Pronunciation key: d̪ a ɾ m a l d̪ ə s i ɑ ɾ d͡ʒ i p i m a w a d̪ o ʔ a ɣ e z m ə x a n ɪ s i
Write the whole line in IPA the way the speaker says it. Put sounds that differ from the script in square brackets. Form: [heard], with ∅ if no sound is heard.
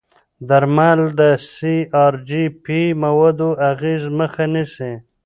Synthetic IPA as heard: d̪ a ɾ m a l d̪ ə s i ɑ ɾ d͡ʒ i p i m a w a d̪ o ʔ a ɣ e z m ə x a n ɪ s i